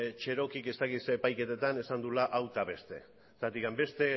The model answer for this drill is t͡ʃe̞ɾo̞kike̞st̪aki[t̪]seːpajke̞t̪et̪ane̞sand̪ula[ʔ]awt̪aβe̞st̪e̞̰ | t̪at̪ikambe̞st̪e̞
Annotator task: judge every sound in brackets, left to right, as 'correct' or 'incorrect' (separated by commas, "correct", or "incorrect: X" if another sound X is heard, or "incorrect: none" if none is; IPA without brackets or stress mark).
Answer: correct, correct